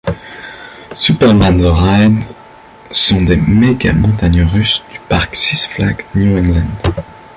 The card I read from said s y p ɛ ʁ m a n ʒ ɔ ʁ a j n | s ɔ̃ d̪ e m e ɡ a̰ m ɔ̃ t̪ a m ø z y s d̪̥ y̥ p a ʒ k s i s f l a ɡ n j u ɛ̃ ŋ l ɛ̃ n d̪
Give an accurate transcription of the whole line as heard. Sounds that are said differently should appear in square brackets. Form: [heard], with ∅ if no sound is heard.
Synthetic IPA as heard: s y p ɛ ʁ m a n [z] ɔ ʁ a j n | s ɔ̃ d̪ e m e ɡ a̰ m ɔ̃ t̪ a [ɲ] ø [ʁ] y s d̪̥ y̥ p a [ʁ] k s i s f l a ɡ n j u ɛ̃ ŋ l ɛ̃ n d̪